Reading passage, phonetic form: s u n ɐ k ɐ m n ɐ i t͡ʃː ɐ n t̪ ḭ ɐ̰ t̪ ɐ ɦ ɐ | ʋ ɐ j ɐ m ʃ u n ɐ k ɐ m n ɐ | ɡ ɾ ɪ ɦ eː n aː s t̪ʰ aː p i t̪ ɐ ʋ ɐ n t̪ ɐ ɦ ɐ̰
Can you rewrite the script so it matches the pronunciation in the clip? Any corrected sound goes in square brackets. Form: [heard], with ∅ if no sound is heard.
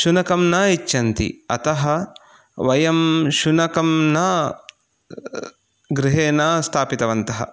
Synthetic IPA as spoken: [ʃ] u n ɐ k ɐ m n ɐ i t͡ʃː ɐ n t̪ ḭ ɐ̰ t̪ ɐ ɦ ɐ | ʋ ɐ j ɐ m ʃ u n ɐ k ɐ m n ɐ | ɡ ɾ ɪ ɦ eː n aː s t̪ʰ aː p i t̪ ɐ ʋ ɐ n t̪ ɐ ɦ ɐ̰

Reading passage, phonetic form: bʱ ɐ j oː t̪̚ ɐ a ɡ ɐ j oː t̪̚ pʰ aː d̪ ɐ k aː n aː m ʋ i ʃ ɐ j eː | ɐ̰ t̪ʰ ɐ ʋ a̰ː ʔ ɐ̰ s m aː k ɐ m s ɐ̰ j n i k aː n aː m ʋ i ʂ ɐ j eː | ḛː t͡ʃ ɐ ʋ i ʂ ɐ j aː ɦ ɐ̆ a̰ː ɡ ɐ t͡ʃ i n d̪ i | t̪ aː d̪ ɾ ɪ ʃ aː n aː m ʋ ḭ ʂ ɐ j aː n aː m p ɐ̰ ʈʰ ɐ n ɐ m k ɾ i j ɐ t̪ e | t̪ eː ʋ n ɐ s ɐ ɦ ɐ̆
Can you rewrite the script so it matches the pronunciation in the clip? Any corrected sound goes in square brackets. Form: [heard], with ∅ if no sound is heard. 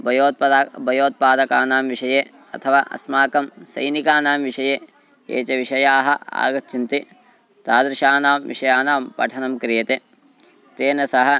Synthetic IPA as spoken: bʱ ɐ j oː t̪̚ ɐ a [b] ɐ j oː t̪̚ [p] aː d̪ ɐ k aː n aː m ʋ i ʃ ɐ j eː | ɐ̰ t̪ʰ ɐ ʋ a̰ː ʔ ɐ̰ s m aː k ɐ m s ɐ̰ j n i k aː n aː m ʋ i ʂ ɐ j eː | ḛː t͡ʃ ɐ ʋ i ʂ ɐ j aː ɦ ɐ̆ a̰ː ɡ ɐ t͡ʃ i n [t̪] i | t̪ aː d̪ ɾ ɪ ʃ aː n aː m ʋ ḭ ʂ ɐ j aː n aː m p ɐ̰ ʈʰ ɐ n ɐ m k ɾ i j ɐ t̪ e | t̪ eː [∅] n ɐ s ɐ ɦ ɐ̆

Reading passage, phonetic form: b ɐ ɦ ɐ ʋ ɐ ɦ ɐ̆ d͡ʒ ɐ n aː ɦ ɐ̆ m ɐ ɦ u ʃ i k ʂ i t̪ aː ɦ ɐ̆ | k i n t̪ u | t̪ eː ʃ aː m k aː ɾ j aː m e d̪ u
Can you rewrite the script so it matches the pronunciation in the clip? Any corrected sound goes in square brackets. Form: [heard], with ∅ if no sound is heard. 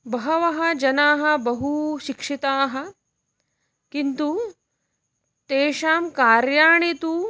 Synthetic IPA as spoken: b ɐ ɦ ɐ ʋ ɐ ɦ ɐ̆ d͡ʒ ɐ n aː ɦ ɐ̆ [b] ɐ ɦ u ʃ i k ʂ i t̪ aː ɦ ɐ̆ | k i n t̪ u | t̪ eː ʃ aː m k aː ɾ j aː [ɳ] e [t̪] u

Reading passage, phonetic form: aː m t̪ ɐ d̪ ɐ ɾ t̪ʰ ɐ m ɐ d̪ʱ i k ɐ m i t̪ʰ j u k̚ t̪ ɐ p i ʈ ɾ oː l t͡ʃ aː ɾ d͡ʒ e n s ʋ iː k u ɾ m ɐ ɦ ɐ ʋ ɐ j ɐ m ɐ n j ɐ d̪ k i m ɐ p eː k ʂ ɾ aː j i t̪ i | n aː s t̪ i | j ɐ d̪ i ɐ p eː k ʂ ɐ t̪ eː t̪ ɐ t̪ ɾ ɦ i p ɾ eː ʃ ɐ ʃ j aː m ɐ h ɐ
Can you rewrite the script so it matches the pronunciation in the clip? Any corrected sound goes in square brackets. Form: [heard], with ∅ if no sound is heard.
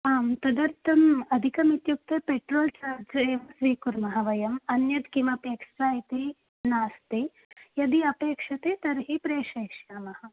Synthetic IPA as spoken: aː m t̪ ɐ d̪ ɐ ɾ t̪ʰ ɐ m ɐ d̪ʱ i k ɐ m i [t̪] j u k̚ t̪ ɐ p [e] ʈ ɾ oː l t͡ʃ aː ɾ d͡ʒ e [m] s ʋ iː k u ɾ m ɐ ɦ ɐ ʋ ɐ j ɐ m ɐ n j ɐ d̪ k i m ɐ p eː k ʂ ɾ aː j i t̪ i | n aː s t̪ i | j ɐ d̪ i ɐ p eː k ʂ ɐ t̪ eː t̪ ɐ [∅] ɾ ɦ i p ɾ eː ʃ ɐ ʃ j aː m ɐ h ɐ

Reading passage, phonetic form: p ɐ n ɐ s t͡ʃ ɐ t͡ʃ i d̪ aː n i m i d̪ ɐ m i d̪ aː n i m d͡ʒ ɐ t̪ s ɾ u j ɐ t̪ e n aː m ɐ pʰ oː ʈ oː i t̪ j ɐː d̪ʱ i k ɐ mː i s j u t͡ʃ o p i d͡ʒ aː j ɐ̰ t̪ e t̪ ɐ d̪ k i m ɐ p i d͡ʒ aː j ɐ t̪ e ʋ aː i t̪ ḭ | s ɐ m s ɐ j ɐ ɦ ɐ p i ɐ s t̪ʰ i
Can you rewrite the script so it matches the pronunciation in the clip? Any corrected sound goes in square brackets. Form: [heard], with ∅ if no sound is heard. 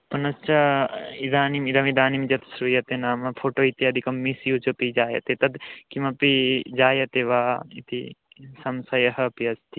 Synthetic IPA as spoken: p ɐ n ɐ s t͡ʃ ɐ [∅] i d̪ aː n i m i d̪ ɐ m i d̪ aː n i m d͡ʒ ɐ t̪ s ɾ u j ɐ t̪ e n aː m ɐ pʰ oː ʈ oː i t̪ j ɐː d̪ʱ i k ɐ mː i s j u t͡ʃ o p i d͡ʒ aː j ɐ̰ t̪ e t̪ ɐ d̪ k i m ɐ p i d͡ʒ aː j ɐ t̪ e ʋ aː i t̪ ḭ | s ɐ m s ɐ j ɐ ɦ ɐ p i ɐ s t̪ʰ i

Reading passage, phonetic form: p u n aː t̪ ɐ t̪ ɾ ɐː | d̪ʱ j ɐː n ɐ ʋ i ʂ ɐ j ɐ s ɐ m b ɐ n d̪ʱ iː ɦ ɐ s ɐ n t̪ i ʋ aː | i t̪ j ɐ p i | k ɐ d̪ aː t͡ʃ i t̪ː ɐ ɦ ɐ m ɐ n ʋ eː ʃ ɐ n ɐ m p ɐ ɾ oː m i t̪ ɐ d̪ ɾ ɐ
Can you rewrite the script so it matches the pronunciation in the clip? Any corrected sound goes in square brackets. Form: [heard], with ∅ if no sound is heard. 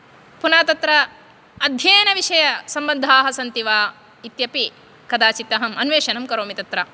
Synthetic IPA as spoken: p u n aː t̪ ɐ t̪ ɾ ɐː | d̪ʱ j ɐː n ɐ ʋ i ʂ ɐ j ɐ s ɐ m b ɐ n d̪ʱ [aː] ɦ ɐ s ɐ n t̪ i ʋ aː | i t̪ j ɐ p i | k ɐ d̪ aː t͡ʃ i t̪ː ɐ ɦ ɐ m ɐ n ʋ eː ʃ ɐ n ɐ m [k] ɐ ɾ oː m i t̪ ɐ [t̪] ɾ ɐ

